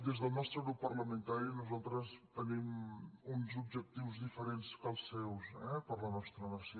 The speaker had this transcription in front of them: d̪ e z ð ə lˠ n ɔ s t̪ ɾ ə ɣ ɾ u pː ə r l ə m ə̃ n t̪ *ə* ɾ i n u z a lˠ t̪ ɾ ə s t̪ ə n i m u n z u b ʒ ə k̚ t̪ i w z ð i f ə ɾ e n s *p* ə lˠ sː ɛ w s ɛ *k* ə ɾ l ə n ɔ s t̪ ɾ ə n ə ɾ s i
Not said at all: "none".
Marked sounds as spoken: a, k, p

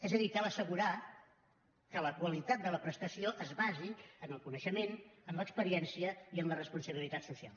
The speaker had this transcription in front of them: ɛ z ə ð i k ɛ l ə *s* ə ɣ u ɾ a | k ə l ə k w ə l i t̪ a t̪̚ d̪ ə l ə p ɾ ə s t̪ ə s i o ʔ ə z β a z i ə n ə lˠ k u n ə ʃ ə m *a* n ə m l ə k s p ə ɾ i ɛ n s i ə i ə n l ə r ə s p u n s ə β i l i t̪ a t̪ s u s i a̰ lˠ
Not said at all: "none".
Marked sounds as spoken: s, e

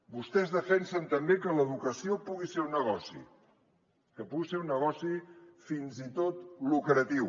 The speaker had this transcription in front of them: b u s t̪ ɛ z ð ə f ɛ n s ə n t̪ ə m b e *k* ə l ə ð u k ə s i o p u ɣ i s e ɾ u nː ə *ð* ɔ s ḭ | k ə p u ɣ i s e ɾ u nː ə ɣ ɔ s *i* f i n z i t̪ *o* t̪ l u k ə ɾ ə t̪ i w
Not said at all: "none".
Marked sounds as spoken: k, ɣ, i, o

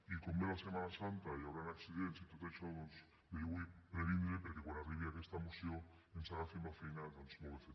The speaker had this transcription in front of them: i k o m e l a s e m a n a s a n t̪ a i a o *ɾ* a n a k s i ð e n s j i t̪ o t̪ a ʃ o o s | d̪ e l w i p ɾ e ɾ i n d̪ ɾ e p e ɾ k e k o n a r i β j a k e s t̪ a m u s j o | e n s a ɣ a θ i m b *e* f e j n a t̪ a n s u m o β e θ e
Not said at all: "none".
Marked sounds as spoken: ɾ, a

